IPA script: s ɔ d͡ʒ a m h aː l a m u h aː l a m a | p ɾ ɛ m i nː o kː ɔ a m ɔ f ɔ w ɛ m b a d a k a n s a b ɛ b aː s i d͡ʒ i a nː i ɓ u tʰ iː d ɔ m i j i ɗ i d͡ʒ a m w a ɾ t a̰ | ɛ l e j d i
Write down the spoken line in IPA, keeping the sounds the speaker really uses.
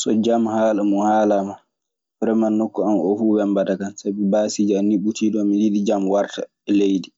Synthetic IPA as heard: s ɔ d͡ʒ a m h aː l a m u h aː l a m a | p ɾ ɛ m a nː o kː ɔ a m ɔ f u w ɛ m b a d a k a n s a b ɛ b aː s i d͡ʒ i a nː i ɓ u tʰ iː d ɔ m i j i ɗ i d͡ʒ a m w a ɾ t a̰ | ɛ l e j d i